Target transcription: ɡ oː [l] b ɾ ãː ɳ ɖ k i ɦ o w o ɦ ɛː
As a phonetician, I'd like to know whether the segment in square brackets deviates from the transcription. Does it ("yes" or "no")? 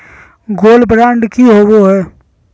no